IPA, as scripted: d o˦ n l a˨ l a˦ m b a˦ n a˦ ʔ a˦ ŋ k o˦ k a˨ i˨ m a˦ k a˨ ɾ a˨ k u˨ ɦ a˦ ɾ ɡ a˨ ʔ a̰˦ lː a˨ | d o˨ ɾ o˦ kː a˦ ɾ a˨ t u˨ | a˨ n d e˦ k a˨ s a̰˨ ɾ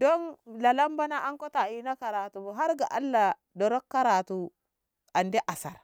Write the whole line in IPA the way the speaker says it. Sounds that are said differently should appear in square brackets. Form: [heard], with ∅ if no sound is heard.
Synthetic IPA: d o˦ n l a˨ l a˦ m b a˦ n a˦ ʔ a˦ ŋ k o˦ [t] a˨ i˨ [n] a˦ k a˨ ɾ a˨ [t] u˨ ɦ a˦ ɾ ɡ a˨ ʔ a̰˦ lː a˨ | d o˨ ɾ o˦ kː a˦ ɾ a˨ t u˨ | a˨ n d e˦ [ʔ] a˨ s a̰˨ ɾ